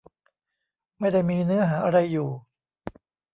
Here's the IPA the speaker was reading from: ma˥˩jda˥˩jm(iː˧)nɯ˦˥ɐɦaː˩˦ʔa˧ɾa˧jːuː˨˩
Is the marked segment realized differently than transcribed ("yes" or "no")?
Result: no